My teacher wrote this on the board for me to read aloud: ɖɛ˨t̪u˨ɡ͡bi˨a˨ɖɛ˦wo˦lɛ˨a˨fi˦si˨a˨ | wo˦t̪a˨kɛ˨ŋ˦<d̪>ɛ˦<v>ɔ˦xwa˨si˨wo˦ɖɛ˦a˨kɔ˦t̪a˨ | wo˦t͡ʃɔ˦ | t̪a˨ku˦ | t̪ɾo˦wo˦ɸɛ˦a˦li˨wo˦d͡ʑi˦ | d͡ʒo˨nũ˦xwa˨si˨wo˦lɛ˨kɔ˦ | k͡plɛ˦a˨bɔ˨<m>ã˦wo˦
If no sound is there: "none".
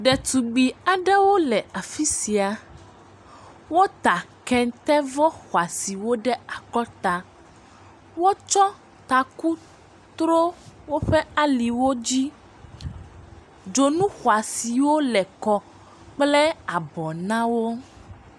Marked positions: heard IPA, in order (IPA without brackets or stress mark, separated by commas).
t̪, v, n